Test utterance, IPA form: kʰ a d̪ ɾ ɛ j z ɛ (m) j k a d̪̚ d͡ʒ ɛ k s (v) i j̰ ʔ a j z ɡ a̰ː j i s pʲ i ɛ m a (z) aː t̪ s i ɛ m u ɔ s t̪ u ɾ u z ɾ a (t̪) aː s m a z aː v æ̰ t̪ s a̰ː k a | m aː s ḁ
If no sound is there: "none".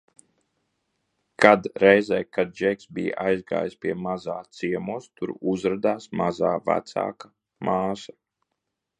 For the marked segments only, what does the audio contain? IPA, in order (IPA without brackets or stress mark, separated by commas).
none, b, z, d̪